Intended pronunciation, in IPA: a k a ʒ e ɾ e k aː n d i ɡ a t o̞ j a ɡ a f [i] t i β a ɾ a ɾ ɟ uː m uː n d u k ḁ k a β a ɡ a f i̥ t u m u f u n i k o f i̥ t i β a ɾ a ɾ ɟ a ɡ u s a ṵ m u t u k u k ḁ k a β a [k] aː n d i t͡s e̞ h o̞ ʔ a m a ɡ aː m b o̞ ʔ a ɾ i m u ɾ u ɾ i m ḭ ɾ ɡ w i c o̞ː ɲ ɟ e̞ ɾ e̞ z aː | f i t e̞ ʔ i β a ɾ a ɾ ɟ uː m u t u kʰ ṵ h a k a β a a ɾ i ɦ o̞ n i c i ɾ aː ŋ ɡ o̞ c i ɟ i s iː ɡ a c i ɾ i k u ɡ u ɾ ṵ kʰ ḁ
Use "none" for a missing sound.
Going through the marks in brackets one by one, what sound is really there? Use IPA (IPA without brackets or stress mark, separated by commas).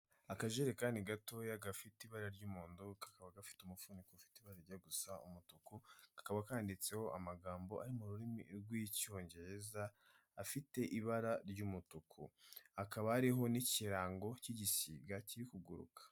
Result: i, k